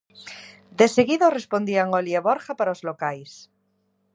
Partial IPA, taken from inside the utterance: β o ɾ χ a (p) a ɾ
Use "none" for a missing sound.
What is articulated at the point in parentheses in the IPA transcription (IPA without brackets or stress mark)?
p